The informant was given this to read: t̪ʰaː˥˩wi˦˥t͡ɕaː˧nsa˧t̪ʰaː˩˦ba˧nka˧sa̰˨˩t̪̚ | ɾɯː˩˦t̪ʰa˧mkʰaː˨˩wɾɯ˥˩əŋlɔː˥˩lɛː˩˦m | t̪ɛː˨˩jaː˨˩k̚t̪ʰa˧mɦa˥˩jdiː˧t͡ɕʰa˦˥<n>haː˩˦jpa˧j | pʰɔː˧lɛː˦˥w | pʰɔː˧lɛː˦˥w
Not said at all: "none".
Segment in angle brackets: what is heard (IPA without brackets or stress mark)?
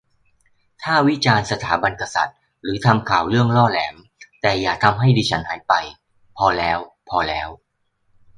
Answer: n